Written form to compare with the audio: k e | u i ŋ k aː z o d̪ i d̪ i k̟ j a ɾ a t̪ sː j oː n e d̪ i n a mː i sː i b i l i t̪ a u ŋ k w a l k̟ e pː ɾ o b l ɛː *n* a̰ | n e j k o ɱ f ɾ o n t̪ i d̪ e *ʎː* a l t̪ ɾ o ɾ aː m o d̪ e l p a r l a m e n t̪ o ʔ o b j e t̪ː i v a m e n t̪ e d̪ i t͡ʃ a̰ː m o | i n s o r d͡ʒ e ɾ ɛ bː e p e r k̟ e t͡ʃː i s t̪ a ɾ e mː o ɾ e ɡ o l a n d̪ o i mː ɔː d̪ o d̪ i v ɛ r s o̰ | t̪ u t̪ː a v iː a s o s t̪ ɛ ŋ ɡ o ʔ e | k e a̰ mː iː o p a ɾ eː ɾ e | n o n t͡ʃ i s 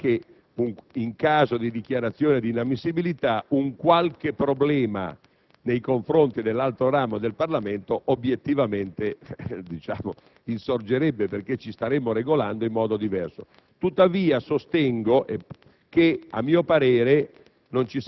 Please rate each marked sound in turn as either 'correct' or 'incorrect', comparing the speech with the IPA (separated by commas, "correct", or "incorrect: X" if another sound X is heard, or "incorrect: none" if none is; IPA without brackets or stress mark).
incorrect: m, incorrect: lː